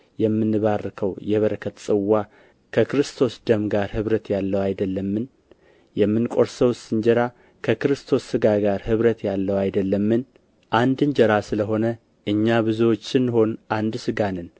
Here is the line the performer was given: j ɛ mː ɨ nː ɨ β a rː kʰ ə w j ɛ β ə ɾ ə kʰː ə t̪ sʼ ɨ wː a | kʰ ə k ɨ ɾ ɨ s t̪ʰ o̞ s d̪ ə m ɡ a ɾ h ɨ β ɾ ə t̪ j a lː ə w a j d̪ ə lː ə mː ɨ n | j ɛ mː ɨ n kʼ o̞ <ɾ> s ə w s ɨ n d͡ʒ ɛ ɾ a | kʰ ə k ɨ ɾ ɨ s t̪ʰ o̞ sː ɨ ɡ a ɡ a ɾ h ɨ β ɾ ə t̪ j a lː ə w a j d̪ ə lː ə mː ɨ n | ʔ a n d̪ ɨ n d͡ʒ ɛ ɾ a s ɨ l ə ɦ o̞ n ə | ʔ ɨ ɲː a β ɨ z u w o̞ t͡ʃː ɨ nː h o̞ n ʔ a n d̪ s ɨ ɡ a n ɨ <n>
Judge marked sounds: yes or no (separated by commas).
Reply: yes, yes